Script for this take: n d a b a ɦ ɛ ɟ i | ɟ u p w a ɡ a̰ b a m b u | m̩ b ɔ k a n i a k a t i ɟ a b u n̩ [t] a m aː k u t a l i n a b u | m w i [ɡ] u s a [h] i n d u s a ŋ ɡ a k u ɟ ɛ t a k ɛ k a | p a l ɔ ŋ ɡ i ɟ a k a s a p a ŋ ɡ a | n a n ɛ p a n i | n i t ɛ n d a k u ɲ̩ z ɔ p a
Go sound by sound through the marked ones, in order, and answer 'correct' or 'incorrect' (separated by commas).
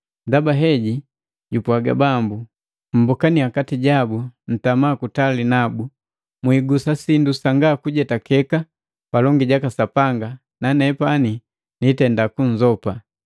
correct, correct, incorrect